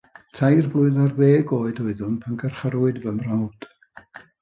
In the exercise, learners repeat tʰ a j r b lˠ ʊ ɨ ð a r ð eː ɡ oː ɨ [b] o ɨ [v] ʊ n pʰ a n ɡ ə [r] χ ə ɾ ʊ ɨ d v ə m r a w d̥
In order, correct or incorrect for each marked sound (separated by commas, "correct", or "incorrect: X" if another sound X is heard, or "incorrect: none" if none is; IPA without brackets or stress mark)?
incorrect: d, incorrect: ð, correct